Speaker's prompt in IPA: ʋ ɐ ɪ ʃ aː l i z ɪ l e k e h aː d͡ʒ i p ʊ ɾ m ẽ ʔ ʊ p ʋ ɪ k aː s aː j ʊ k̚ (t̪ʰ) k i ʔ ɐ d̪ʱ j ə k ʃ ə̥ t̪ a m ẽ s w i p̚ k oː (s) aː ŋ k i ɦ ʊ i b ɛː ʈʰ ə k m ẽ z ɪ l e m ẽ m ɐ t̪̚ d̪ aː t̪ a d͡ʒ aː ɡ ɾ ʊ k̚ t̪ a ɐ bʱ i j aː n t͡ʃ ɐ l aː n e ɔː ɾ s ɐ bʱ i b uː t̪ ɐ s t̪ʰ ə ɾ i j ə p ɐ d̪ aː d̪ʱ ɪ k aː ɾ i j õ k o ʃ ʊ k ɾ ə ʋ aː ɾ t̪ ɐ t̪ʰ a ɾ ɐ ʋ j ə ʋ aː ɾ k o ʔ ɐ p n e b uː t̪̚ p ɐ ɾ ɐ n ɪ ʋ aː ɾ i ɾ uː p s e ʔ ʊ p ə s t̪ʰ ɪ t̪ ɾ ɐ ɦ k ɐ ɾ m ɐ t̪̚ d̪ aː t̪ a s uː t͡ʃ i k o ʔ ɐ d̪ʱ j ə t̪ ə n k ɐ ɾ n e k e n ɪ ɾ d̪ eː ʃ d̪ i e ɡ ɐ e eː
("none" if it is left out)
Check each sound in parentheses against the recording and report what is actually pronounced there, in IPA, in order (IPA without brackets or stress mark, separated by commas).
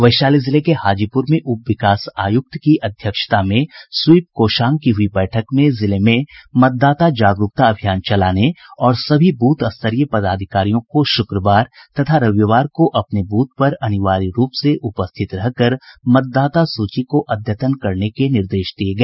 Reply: t̪, ʃ